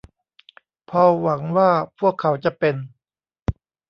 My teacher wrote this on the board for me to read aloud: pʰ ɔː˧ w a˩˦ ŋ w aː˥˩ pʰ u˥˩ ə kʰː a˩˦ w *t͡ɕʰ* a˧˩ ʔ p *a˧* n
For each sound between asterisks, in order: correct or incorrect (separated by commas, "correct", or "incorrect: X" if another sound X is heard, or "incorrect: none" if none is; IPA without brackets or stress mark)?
incorrect: t͡ɕ, incorrect: e˧